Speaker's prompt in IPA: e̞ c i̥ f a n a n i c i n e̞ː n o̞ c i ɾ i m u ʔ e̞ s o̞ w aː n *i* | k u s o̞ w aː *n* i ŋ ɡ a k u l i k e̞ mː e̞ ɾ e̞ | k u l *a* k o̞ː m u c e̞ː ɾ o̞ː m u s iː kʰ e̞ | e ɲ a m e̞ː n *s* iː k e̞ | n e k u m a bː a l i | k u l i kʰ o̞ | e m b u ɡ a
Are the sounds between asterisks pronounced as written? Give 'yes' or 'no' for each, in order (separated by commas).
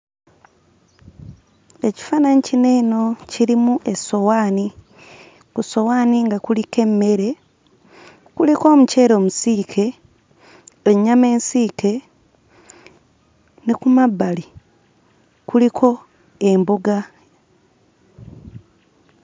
yes, yes, no, yes